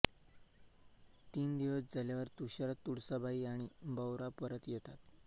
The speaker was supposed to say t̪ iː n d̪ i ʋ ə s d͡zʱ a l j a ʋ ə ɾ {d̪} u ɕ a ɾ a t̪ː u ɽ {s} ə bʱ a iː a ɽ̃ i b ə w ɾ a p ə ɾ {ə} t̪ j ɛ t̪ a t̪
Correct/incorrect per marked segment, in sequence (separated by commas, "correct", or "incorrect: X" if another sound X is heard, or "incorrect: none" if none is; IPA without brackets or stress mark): incorrect: t̪, correct, correct